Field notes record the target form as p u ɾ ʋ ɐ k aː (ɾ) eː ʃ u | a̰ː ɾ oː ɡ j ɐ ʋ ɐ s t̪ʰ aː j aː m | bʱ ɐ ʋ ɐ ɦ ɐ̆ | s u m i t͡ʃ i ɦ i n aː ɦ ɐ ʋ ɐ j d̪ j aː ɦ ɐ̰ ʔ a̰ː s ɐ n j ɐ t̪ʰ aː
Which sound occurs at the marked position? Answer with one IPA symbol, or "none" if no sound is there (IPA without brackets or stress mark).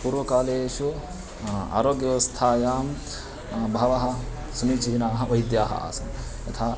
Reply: l